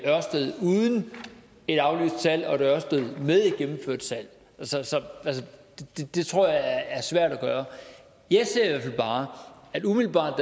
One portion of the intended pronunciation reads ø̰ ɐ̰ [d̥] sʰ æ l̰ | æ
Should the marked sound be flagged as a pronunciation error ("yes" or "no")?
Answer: no